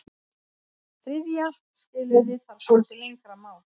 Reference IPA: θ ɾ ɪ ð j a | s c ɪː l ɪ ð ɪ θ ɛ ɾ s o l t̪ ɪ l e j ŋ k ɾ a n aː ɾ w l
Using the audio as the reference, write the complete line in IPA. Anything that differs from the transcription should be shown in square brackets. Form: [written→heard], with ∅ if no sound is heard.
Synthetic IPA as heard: θ ɾ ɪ ð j a | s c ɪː l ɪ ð ɪ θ [ɛ→a] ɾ s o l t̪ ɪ l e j ŋ k ɾ a [n→m] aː [ɾ→∅] w l